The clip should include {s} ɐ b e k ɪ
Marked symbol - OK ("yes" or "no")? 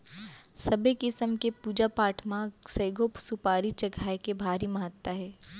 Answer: yes